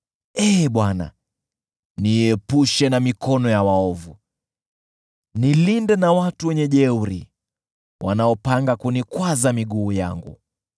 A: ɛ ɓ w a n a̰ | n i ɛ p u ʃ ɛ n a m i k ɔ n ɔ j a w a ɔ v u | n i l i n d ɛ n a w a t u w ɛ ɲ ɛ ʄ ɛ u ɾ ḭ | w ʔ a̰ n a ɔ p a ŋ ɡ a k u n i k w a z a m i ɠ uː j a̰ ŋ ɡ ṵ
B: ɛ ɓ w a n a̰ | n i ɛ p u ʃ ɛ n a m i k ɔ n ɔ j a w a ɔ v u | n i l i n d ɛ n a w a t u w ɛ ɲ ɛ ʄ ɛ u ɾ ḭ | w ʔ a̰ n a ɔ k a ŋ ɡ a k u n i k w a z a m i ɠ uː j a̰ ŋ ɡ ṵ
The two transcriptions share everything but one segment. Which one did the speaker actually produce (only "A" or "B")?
A